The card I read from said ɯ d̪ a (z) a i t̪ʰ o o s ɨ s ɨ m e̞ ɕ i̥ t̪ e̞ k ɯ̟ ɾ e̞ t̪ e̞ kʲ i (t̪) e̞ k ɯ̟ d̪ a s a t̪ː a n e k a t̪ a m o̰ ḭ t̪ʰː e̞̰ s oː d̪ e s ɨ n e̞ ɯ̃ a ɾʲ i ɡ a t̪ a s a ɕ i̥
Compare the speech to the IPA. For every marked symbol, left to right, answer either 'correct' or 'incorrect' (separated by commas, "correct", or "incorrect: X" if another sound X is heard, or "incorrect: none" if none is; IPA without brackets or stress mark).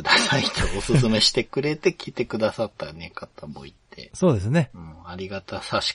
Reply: incorrect: s, correct